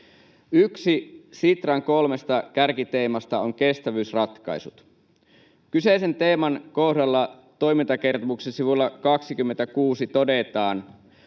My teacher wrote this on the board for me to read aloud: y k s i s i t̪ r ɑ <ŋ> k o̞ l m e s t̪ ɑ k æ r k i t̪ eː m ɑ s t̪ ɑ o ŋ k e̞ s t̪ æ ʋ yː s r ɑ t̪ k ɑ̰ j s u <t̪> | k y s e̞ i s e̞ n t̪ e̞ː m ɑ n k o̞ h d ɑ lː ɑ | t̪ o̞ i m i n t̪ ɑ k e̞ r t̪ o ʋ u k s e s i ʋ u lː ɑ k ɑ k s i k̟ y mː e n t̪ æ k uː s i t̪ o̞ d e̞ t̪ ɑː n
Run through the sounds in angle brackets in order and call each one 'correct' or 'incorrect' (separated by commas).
correct, correct